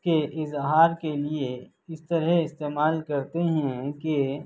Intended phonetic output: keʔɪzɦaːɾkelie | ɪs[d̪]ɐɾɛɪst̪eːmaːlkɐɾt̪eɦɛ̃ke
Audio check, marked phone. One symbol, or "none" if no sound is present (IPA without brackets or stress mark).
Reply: t̪